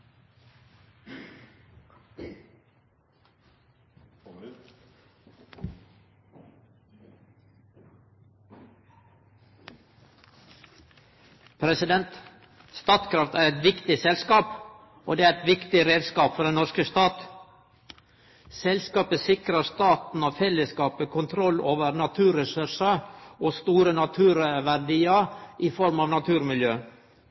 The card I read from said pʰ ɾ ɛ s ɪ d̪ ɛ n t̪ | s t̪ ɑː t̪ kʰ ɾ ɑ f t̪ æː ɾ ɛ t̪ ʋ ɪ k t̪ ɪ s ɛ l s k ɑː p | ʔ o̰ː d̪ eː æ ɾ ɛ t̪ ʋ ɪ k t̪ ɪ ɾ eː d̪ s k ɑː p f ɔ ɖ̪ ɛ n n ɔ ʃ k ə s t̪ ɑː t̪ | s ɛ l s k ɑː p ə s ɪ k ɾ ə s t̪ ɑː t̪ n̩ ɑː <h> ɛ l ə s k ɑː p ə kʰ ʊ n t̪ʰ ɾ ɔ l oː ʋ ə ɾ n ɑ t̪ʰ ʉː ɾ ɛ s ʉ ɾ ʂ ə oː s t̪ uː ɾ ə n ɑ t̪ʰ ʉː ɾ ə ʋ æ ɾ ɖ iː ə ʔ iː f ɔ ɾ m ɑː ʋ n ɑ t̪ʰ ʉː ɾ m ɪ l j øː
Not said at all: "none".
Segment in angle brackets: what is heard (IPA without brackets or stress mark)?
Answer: f